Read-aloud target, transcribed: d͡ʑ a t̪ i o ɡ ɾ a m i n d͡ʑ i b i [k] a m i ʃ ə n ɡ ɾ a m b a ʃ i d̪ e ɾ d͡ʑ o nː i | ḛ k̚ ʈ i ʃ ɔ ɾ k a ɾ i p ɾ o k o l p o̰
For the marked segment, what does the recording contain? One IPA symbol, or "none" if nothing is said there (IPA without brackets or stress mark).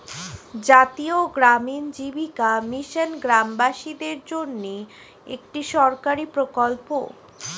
k